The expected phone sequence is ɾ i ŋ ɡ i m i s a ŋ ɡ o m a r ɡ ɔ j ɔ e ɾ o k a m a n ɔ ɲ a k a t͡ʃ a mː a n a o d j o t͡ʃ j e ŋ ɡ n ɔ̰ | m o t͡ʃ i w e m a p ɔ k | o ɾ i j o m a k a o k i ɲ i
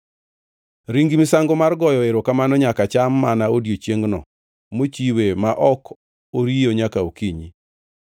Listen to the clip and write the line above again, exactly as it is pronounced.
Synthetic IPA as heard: ɾ i ŋ ɡ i m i s a ŋ ɡ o m a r ɡ ɔ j ɔ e ɾ o k a m a n ɔ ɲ a k a t͡ʃ a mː a n a o d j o t͡ʃ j e ŋ ɡ n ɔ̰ | m o t͡ʃ i w e m a ʔ ɔ k | o ɾ i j o ɲ a k a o k i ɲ i